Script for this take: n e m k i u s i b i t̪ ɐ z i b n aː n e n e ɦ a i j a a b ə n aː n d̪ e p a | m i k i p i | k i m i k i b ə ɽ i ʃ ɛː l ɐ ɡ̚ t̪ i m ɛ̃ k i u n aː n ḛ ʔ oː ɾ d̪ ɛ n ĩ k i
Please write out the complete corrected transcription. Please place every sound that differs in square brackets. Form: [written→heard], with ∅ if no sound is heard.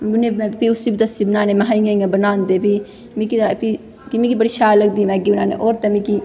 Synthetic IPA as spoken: n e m [k→p] i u s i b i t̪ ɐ [z→s] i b n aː n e [n→m] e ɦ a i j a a b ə n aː n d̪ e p [a→i] | m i k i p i | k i m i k i b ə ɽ i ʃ [ɛː→aː] l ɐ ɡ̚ [t̪→d̪] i m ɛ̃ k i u n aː n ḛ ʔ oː ɾ [d̪→t̪] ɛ [n→m] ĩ k i